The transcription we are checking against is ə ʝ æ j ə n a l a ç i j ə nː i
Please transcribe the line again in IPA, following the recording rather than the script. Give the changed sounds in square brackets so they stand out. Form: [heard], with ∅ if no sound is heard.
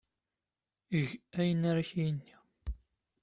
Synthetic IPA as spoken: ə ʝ æ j ə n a [ɾ] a ç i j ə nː i

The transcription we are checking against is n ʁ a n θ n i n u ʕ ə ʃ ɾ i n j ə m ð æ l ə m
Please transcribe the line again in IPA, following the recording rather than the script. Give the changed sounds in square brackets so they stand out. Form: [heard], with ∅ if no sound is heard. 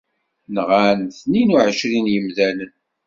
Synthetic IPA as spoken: n ʁ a n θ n i n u ʕ ə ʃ ɾ i n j ə m ð æ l ə [n]

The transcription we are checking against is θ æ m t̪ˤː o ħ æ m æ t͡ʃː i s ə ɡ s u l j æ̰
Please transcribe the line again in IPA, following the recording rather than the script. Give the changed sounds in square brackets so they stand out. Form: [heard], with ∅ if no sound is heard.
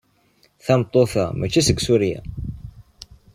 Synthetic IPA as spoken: θ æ m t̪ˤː o [θ] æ m æ t͡ʃː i s ə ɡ s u [ɾ] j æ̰

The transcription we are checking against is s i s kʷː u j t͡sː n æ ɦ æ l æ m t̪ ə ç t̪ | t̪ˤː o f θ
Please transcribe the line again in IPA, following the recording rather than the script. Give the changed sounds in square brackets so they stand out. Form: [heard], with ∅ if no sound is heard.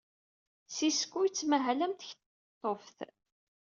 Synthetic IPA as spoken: s i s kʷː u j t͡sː [m] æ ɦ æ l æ m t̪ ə ç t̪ | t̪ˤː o f θ

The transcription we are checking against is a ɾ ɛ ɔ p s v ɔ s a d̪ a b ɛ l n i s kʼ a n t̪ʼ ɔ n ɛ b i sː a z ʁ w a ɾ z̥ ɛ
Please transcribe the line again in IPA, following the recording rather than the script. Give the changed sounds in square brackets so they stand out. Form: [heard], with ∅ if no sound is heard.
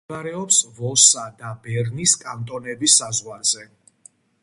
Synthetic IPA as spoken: a ɾ ɛ ɔ p s v ɔ s a d̪ a b ɛ [ɾ] n i s kʼ a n t̪ʼ ɔ n ɛ b i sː a z ʁ w a ɾ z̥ ɛ

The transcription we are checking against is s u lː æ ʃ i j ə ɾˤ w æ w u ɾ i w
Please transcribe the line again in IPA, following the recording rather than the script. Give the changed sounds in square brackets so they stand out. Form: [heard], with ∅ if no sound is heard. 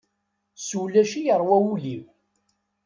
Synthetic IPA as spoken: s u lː æ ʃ i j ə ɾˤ w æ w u [l] i w

